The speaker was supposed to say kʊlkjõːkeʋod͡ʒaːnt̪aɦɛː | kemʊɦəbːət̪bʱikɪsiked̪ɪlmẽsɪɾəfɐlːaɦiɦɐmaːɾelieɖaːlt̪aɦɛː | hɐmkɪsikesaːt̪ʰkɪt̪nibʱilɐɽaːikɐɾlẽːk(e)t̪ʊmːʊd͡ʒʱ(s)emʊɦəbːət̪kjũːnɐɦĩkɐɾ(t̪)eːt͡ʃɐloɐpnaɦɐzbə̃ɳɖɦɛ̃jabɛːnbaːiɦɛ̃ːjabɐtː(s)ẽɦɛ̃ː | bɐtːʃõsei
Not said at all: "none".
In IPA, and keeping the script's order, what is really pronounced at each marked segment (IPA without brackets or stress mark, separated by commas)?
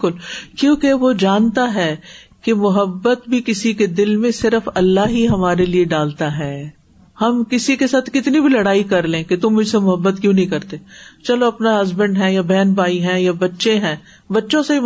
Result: e, s, t̪, ʃ